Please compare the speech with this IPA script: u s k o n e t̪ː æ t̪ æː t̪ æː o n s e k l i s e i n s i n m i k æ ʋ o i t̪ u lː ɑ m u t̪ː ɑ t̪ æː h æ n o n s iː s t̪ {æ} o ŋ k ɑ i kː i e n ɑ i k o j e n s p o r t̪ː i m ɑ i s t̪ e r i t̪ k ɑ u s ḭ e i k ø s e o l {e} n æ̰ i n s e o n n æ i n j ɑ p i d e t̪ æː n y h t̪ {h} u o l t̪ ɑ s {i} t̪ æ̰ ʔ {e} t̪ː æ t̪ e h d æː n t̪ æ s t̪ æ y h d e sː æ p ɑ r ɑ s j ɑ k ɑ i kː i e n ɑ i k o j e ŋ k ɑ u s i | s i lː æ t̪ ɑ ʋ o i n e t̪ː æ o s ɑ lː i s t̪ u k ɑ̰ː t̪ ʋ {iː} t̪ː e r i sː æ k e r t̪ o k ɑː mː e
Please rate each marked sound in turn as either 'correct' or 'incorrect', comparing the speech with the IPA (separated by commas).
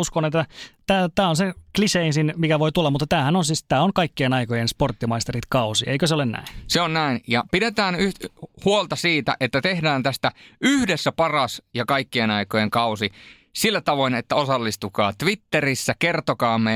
incorrect, correct, correct, incorrect, correct, incorrect